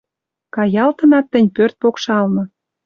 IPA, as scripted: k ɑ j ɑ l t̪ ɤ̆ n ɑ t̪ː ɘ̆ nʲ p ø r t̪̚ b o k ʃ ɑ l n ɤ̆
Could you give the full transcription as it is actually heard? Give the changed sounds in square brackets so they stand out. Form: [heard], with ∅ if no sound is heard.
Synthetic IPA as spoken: k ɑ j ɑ l t̪ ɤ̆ n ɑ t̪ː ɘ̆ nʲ p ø r t̪̚ [p] o k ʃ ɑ l n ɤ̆